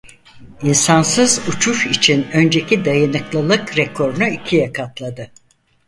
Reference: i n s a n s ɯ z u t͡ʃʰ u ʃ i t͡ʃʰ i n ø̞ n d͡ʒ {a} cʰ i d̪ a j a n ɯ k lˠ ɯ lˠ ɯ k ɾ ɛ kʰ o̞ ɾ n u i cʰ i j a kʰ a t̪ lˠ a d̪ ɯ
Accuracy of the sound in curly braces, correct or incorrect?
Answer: incorrect